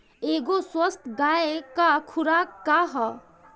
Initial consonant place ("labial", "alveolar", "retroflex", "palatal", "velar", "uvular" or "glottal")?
velar